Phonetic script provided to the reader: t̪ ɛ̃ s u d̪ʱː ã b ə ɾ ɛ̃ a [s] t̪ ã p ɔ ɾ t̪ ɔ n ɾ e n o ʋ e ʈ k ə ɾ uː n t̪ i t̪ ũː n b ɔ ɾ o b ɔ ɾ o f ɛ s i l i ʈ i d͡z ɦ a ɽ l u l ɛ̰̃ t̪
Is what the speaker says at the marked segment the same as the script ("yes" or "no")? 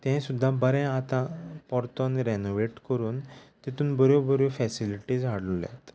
no